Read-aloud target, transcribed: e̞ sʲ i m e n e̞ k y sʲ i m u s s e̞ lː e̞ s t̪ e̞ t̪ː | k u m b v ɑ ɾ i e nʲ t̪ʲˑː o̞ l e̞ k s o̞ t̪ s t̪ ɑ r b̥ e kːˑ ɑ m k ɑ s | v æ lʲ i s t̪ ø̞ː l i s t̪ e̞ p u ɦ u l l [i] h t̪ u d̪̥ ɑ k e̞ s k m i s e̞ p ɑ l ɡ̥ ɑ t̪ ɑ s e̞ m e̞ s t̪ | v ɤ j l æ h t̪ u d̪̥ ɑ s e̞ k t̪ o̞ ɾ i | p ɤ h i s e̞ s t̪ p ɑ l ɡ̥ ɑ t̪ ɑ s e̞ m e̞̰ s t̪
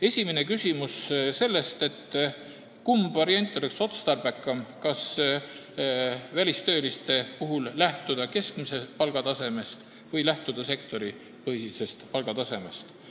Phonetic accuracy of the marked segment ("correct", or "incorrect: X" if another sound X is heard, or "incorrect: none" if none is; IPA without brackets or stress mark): incorrect: æ